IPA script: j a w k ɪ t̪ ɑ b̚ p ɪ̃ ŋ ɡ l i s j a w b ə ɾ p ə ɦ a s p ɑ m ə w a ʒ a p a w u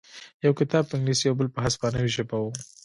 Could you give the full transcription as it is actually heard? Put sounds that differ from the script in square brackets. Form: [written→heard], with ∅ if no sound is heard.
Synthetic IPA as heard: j a w k ɪ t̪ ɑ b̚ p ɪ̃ ŋ ɡ l i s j a w b ə [ɾ→l] p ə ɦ a s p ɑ [m→n] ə w [a→i] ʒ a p a w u